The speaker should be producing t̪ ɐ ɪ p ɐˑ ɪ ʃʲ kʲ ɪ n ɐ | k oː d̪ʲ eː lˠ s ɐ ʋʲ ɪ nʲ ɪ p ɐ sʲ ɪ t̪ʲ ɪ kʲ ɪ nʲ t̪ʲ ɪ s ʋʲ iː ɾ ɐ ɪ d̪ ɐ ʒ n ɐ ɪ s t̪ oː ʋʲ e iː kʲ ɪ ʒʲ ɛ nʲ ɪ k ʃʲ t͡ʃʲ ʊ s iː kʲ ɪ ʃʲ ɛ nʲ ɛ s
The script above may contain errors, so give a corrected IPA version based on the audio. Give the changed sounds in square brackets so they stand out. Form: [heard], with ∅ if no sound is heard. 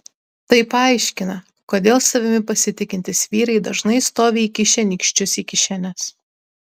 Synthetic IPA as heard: t̪ ɐ ɪ p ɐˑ ɪ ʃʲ kʲ ɪ n ɐ | k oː d̪ʲ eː lˠ s ɐ ʋʲ ɪ [mʲ] ɪ p ɐ sʲ ɪ t̪ʲ ɪ kʲ ɪ nʲ t̪ʲ ɪ s ʋʲ iː ɾ ɐ ɪ d̪ ɐ ʒ n ɐ ɪ s t̪ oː ʋʲ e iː kʲ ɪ [ʃʲ] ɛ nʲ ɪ k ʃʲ t͡ʃʲ ʊ s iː kʲ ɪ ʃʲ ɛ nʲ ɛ s